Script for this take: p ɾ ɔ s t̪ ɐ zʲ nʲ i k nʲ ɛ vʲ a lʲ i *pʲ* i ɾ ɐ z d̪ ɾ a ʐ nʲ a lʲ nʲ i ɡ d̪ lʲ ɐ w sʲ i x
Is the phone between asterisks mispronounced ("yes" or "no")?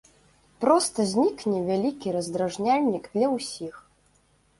yes